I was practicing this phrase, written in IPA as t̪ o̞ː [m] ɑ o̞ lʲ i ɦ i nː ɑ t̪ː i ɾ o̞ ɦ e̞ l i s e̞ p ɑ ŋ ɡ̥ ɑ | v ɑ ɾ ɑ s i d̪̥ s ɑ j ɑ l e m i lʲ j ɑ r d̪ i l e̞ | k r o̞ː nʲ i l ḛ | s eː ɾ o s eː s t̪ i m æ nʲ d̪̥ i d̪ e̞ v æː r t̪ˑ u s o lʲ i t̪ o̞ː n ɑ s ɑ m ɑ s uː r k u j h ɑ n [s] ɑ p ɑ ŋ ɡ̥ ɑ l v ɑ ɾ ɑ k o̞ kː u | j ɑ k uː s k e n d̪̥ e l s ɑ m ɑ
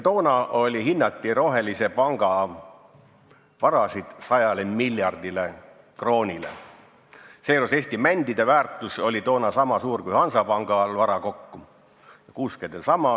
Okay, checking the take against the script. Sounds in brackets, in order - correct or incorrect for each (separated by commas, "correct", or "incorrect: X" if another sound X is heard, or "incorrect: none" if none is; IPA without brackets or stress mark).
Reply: incorrect: n, correct